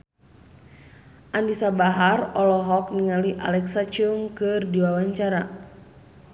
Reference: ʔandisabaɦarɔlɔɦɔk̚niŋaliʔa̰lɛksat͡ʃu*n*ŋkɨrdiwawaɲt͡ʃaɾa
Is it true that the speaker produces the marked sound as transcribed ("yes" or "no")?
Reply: no